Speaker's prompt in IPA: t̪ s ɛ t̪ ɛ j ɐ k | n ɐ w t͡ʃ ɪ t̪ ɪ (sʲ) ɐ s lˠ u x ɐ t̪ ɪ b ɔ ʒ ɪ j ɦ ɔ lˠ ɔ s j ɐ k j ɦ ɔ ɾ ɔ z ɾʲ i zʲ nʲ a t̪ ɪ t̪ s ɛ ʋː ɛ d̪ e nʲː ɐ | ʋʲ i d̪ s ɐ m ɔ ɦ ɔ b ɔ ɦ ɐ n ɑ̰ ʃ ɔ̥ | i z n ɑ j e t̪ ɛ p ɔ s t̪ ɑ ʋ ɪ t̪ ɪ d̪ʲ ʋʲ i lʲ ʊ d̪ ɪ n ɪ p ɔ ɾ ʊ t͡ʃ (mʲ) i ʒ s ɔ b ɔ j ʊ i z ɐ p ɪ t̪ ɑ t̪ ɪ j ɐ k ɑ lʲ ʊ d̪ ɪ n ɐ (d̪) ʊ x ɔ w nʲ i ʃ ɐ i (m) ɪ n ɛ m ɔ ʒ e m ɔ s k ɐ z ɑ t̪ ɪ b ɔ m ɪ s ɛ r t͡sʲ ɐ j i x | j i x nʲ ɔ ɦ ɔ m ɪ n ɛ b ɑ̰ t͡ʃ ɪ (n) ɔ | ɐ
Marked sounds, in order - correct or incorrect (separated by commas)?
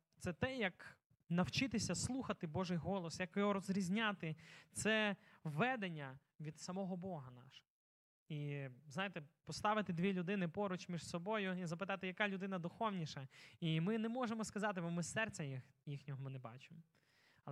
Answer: correct, correct, correct, correct, incorrect